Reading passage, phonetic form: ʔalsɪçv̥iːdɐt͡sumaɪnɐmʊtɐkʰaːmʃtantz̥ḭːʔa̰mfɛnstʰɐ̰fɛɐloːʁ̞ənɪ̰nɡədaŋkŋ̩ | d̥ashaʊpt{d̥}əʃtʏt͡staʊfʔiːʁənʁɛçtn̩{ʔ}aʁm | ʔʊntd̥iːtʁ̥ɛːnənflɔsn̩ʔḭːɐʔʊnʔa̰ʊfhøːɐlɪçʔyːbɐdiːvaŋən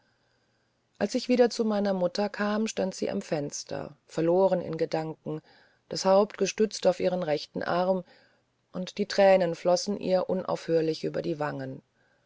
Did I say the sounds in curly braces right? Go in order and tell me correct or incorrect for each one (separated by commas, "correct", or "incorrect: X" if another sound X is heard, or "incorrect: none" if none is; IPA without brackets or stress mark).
incorrect: ɡ̥, correct